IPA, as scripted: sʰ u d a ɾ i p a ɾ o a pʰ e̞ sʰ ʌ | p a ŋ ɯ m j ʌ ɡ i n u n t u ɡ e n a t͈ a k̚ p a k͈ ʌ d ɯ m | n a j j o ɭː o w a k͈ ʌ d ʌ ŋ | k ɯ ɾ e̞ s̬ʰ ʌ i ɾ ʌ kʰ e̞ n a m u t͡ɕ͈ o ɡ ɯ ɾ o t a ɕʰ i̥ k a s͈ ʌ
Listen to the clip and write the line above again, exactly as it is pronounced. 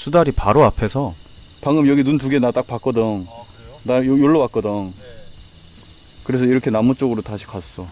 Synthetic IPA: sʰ u d a ɾ i p a ɾ o a pʰ e̞ sʰ ʌ | p a ŋ ɯ m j ʌ ɡ i n u n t u ɡ e n a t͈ a k̚ p a k͈ ʌ d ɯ ŋ | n a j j o ɭː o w a k͈ ʌ d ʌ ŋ | k ɯ ɾ e̞ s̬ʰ ʌ i ɾ ʌ kʰ e̞ n a m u t͡ɕ͈ o ɡ ɯ ɾ o t a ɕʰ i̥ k a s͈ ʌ